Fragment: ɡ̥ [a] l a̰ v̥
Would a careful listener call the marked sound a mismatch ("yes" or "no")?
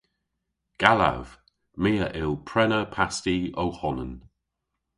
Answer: no